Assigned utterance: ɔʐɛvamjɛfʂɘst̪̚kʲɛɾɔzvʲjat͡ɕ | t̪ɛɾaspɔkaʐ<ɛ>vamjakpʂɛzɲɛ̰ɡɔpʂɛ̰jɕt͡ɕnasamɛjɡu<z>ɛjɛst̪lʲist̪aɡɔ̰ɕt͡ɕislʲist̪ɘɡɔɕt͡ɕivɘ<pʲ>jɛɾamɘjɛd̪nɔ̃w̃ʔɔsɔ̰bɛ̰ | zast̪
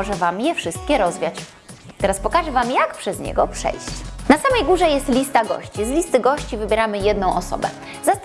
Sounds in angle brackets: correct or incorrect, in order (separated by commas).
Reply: correct, incorrect, incorrect